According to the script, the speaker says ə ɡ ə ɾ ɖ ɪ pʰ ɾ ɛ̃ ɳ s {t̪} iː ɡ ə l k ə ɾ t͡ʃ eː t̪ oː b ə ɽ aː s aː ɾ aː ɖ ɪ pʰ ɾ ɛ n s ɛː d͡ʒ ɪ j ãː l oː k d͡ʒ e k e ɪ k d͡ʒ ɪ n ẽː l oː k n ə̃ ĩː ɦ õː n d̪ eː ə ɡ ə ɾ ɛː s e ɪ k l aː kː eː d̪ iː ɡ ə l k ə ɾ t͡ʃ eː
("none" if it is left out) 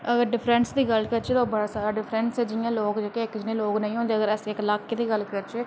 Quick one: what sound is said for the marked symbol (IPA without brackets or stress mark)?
d̪